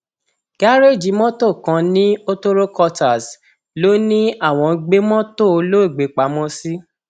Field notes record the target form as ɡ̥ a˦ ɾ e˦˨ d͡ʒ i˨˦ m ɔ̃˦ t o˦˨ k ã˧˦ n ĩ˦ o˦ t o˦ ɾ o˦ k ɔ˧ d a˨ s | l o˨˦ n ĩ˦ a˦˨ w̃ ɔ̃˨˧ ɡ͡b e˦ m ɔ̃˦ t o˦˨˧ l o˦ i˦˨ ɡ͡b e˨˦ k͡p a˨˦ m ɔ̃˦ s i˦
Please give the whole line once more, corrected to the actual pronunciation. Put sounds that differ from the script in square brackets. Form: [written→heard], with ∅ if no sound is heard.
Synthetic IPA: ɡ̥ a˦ ɾ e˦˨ d͡ʒ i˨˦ m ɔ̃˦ t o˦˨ k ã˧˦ n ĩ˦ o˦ t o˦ ɾ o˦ k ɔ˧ [d→t] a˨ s | l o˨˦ n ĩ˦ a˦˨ w̃ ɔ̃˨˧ ɡ͡b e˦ m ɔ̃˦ t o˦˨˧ l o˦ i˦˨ ɡ͡b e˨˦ k͡p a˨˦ m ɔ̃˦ s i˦